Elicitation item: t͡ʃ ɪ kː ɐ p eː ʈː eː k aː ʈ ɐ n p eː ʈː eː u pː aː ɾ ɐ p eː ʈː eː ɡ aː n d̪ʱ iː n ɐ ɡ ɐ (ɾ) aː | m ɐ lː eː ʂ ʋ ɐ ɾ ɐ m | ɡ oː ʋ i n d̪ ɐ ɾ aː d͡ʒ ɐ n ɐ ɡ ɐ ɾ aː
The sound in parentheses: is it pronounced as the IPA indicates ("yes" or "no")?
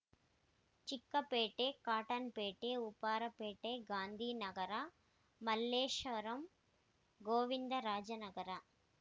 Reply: yes